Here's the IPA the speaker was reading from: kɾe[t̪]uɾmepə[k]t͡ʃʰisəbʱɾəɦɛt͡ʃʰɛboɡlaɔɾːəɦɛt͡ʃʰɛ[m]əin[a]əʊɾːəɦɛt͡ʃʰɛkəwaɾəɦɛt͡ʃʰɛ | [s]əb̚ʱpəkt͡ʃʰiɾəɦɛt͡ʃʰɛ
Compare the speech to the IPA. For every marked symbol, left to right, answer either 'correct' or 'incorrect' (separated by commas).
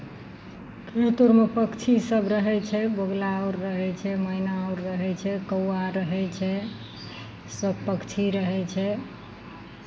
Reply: correct, correct, correct, correct, correct